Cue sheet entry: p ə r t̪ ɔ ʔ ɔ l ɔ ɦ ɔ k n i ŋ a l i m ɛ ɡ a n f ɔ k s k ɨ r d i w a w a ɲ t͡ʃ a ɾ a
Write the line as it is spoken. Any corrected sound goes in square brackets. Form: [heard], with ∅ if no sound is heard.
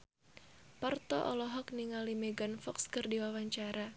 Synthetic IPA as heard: p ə r t̪ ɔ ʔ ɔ l ɔ ɦ ɔ k n i ŋ a l i m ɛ ɡ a n f ɔ k s k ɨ r d i w a w a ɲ t͡ʃ a ɾ a